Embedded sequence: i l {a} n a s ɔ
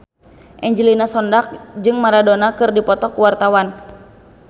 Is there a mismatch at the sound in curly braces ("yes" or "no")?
yes